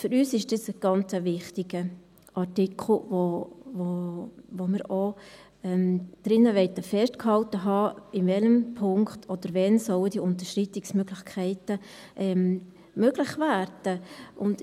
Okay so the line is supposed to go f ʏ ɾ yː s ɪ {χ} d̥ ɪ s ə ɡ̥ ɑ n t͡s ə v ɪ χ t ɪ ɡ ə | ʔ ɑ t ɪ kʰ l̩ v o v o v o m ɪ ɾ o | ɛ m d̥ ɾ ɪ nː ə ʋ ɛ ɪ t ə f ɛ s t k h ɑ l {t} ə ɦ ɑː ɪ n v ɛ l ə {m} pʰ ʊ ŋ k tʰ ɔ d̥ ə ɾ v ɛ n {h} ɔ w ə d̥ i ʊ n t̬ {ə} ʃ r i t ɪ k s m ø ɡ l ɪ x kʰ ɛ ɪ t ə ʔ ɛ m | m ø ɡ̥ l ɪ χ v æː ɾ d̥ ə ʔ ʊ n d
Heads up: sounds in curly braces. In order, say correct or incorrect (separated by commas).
incorrect, correct, correct, incorrect, correct